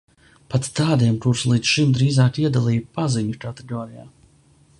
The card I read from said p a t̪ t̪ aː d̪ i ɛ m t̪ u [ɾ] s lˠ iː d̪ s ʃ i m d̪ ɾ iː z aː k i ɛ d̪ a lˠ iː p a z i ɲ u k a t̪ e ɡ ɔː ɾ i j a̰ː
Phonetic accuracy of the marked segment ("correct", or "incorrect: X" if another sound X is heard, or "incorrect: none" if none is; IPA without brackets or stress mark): correct